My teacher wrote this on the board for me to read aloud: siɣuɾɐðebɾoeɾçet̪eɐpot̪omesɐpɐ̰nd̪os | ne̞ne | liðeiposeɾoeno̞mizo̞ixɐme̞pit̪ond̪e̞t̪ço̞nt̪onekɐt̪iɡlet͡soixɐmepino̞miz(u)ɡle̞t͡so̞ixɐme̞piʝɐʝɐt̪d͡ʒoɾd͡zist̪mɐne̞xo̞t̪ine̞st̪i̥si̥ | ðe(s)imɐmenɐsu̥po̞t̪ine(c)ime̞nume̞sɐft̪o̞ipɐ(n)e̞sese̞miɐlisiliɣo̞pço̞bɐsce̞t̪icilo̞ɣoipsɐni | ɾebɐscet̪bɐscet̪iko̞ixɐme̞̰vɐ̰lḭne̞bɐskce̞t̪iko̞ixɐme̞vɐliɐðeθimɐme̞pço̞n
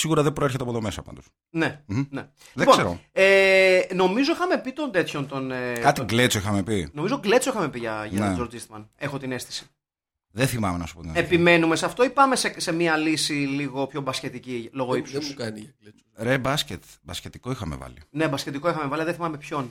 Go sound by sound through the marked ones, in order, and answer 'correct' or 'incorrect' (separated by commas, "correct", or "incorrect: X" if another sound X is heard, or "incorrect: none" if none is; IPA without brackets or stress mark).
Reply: incorrect: o, incorrect: θ, incorrect: p, incorrect: m